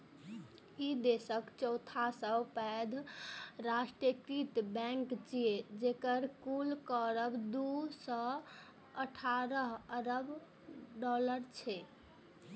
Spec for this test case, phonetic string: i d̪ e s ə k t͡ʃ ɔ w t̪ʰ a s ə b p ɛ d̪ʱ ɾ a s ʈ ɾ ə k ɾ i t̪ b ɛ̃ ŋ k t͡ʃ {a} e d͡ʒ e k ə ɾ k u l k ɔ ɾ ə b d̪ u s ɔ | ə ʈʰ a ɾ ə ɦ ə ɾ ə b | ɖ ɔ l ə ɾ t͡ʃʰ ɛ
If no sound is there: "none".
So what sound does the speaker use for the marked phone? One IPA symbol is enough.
i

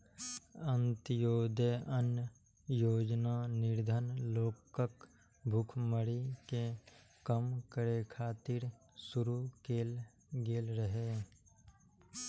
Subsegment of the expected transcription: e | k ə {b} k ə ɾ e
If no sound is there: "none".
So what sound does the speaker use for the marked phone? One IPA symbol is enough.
m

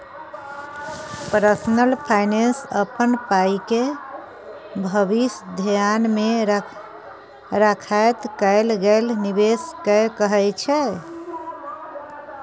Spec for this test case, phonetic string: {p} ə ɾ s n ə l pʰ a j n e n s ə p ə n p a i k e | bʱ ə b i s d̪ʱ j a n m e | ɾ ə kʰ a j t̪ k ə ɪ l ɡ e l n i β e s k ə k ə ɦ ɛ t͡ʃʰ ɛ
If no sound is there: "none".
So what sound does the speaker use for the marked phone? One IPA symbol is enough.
p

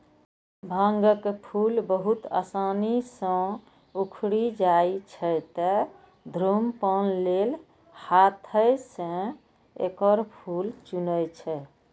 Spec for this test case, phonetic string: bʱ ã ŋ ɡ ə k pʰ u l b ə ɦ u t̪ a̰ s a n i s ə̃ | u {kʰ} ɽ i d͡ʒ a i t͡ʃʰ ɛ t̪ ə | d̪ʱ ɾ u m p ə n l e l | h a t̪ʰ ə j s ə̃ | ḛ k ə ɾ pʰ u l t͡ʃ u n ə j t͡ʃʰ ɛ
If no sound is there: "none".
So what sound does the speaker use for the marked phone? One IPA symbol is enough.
kʰ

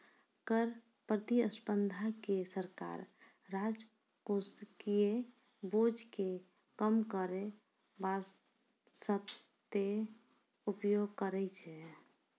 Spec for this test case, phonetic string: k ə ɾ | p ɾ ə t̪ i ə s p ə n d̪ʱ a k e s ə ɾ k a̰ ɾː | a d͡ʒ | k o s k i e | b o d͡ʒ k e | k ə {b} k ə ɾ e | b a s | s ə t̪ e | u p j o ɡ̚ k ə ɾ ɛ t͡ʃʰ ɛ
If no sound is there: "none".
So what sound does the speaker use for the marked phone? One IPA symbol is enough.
m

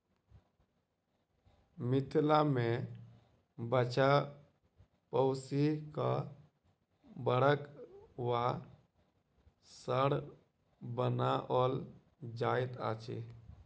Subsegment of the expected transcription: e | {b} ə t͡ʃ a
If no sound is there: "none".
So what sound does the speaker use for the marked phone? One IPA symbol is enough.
b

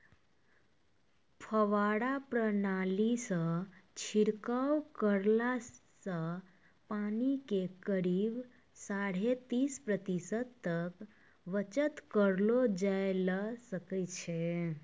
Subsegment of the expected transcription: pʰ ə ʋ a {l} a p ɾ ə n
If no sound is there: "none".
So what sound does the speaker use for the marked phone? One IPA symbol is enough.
ɽ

